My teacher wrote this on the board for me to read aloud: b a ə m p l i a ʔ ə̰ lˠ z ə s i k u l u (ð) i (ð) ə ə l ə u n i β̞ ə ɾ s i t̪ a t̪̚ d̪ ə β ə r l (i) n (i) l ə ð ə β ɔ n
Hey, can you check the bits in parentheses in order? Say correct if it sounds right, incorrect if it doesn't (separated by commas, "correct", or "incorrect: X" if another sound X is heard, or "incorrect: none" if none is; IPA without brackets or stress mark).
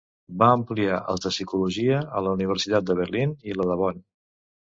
incorrect: ʒ, incorrect: none, correct, correct